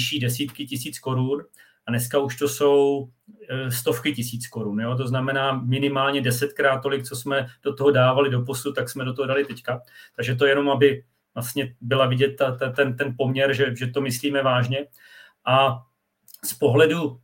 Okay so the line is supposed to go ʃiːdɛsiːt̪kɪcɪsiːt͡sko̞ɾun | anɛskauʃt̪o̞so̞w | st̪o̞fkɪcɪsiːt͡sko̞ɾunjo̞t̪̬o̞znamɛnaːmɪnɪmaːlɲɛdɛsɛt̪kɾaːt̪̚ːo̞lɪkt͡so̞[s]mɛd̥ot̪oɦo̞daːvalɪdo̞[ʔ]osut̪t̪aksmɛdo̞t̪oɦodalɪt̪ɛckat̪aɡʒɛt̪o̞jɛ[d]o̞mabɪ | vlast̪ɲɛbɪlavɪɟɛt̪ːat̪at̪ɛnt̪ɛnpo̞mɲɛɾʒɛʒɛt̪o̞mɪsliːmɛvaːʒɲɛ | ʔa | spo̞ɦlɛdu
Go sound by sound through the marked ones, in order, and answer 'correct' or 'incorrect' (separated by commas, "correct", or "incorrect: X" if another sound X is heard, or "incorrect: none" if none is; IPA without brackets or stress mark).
correct, incorrect: p, incorrect: n